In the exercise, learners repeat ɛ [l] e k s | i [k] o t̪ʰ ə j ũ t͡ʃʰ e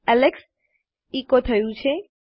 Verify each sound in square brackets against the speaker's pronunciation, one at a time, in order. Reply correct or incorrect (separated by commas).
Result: correct, correct